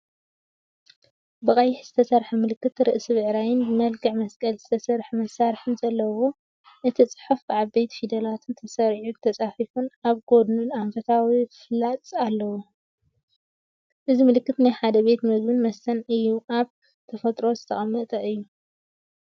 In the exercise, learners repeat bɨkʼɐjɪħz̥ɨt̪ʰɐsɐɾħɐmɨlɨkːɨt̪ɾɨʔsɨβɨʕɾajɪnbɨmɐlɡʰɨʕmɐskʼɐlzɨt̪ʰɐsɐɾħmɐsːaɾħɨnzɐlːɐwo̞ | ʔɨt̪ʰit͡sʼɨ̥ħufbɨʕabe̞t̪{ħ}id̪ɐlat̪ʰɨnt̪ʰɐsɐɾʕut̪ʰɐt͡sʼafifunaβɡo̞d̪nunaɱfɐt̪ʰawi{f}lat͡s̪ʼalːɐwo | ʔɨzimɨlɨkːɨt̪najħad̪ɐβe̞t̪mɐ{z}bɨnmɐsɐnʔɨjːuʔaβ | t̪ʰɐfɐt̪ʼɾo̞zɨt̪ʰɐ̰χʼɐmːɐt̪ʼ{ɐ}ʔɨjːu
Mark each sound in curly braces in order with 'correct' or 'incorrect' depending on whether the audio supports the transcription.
incorrect: f, correct, correct, correct

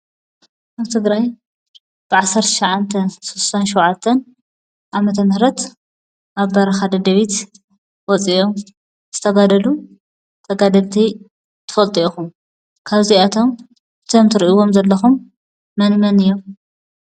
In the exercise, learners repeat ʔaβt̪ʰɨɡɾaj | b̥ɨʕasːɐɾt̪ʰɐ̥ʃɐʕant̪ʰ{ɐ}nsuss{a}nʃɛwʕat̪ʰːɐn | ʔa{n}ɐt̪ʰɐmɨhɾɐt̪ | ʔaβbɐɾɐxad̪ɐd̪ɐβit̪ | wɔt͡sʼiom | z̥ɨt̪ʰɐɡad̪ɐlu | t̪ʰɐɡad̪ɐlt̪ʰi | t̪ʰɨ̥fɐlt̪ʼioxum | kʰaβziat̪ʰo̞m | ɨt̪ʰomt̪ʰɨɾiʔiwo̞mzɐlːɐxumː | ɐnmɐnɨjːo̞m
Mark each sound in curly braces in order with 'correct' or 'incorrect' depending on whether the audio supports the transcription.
correct, correct, incorrect: m

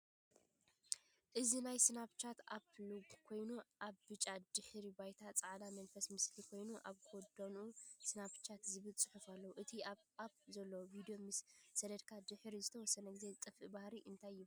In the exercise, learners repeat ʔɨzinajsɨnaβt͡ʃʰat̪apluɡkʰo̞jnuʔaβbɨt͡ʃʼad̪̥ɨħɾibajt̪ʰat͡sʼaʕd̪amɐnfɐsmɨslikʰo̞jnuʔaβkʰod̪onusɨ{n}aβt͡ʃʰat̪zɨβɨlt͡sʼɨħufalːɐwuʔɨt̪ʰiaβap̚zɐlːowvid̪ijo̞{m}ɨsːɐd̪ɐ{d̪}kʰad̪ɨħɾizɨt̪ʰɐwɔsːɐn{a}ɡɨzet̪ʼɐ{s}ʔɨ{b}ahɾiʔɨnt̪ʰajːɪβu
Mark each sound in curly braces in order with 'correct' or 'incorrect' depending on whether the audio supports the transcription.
correct, correct, correct, incorrect: ɐ, incorrect: f, correct

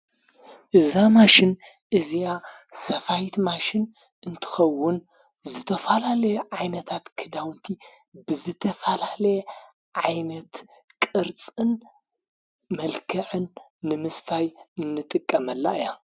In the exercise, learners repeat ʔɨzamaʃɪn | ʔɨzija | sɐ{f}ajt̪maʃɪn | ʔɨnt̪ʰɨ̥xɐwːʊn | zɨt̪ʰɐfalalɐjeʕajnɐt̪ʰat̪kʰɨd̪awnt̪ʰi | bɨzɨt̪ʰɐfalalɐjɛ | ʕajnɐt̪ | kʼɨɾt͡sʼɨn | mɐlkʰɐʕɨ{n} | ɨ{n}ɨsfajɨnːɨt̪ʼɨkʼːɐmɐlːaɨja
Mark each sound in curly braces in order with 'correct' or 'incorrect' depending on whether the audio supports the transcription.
correct, incorrect: nː, incorrect: m

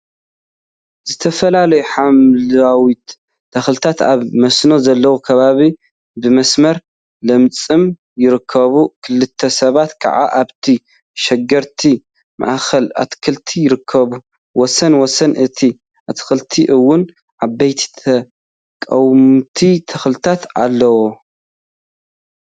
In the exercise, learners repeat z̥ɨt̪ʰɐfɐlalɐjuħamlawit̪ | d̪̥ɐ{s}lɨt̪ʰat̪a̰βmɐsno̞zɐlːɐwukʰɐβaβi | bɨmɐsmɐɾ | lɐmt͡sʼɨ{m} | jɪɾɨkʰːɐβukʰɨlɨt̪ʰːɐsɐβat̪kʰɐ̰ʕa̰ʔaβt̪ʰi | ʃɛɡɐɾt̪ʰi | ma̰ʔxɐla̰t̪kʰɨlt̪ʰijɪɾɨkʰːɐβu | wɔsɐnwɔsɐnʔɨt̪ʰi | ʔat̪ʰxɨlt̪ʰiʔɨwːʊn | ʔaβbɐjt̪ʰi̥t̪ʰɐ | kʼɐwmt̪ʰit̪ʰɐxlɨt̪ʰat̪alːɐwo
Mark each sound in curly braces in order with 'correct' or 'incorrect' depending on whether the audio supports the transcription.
incorrect: x, correct

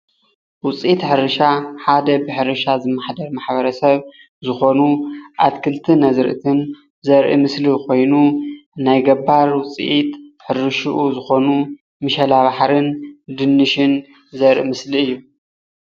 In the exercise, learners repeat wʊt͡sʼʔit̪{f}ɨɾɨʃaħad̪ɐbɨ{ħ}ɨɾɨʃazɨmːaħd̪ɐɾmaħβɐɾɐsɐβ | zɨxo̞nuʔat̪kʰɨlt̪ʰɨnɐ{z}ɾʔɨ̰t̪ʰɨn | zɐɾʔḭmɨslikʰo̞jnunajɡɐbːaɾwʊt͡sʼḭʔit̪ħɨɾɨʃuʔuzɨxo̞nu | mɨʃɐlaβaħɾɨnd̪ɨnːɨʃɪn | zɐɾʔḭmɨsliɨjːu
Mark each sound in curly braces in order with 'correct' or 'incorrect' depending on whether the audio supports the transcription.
incorrect: ħ, correct, correct

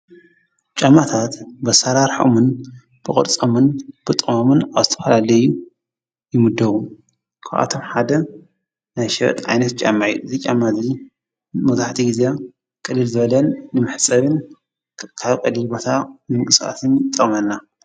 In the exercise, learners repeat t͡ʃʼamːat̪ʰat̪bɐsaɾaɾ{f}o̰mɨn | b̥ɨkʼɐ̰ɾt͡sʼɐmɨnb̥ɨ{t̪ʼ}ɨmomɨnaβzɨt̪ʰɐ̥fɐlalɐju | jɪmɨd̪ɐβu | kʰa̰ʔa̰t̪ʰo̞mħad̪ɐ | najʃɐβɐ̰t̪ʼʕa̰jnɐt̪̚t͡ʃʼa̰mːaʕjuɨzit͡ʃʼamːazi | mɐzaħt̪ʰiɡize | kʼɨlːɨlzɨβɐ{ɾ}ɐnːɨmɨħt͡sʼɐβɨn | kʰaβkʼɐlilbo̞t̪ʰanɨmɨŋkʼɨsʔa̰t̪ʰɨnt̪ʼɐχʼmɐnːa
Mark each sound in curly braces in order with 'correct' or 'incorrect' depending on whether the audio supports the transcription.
incorrect: ħ, correct, incorrect: l

